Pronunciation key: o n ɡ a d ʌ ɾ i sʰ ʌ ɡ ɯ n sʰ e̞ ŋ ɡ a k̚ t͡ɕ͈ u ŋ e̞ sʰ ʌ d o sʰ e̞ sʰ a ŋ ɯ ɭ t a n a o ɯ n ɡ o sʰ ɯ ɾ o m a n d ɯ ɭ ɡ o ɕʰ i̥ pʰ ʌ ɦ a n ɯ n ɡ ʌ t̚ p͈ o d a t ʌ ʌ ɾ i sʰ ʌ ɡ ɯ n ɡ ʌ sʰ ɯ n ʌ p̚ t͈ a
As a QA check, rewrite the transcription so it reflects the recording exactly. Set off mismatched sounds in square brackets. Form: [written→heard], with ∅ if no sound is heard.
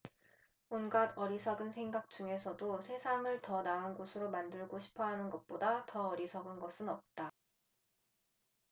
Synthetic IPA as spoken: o n ɡ a d ʌ ɾ i sʰ ʌ ɡ ɯ n sʰ e̞ ŋ ɡ a k̚ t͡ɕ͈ u ŋ e̞ sʰ ʌ d o sʰ e̞ sʰ a ŋ ɯ ɭ t [a→ʌ] n a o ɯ n ɡ o sʰ ɯ ɾ o m a n d ɯ ɭ ɡ o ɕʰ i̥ pʰ ʌ ɦ a n ɯ n ɡ ʌ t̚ p͈ o d a t ʌ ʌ ɾ i sʰ ʌ ɡ ɯ n ɡ ʌ sʰ ɯ n ʌ p̚ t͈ a